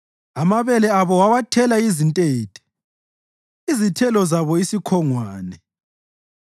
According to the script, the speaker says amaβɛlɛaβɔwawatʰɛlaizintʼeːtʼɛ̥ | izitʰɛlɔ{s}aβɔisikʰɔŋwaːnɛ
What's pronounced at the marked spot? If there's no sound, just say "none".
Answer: z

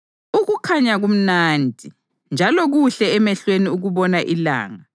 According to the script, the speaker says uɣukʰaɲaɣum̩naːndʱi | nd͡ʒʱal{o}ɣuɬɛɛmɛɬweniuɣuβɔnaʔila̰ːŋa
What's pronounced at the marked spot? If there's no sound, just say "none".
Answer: ɔ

